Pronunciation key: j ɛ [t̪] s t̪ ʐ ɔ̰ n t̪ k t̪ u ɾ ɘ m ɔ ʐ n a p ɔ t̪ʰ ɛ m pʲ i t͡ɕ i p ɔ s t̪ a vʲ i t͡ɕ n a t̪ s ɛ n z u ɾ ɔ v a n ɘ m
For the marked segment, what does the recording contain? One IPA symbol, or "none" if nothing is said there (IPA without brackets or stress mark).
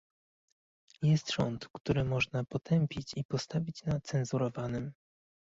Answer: none